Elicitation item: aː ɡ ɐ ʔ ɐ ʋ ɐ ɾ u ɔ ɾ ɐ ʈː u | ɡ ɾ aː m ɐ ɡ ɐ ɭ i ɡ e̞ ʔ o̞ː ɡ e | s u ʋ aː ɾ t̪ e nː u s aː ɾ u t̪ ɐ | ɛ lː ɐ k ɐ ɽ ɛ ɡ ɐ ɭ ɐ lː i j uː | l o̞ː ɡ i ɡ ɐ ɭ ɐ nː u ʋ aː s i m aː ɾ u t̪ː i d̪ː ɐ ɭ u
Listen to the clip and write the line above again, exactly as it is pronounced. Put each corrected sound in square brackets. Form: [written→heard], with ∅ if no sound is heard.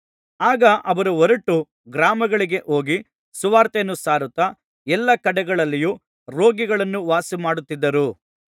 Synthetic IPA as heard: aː ɡ ɐ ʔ ɐ ʋ ɐ ɾ u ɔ ɾ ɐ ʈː u | ɡ ɾ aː m ɐ ɡ ɐ ɭ i ɡ e̞ ʔ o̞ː ɡ [e→i] | s u ʋ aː ɾ t̪ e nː u s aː ɾ u t̪ ɐ | ɛ lː ɐ k ɐ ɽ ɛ ɡ ɐ ɭ ɐ lː i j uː | [l→ɾ] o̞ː ɡ i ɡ ɐ ɭ ɐ nː u ʋ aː s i m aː [ɾ→ɽ] u t̪ː i d̪ː ɐ [ɭ→ɾ] u